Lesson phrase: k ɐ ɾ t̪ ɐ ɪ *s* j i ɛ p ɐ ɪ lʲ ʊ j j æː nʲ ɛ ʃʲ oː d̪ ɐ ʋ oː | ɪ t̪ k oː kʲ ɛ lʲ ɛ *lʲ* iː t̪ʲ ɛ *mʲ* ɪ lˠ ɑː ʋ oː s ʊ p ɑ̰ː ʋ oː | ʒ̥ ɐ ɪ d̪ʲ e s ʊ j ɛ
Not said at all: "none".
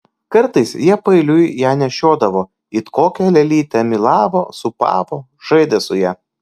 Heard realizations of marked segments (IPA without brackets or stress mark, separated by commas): s, lʲ, mʲ